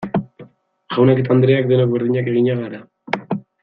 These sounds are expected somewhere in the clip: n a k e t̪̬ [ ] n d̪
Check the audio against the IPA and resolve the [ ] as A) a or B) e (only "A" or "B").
A